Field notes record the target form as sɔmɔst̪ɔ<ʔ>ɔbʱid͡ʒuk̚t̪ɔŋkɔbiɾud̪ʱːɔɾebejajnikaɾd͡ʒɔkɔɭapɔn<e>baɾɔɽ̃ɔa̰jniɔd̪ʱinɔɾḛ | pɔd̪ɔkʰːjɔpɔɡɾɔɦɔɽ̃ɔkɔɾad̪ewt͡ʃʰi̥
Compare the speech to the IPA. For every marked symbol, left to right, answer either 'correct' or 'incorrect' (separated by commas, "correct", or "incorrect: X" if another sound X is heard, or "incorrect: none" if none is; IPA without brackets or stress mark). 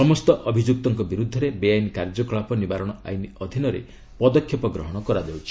correct, incorrect: i